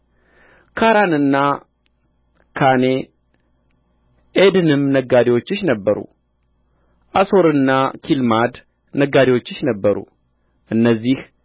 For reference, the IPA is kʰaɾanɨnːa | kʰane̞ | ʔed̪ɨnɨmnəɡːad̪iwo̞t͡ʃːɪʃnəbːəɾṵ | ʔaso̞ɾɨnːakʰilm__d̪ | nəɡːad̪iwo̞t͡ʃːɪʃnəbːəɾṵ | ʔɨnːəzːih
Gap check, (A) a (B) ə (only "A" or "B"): A